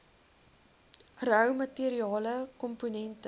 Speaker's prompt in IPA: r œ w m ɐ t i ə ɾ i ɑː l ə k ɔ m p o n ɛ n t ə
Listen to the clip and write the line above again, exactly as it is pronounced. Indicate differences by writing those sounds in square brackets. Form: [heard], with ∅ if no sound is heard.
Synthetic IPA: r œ w m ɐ t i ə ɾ i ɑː l ə k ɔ m p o n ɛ n t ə